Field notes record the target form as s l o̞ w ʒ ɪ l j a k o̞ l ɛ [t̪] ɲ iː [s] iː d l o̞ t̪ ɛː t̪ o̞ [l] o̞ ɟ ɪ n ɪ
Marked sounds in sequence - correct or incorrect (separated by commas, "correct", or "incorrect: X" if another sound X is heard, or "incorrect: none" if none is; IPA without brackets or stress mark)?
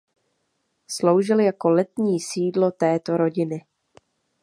correct, correct, incorrect: ɾ